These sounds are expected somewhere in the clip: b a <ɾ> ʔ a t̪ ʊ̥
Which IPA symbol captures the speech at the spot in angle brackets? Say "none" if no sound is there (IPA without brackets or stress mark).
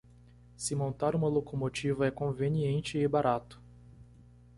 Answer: ɾ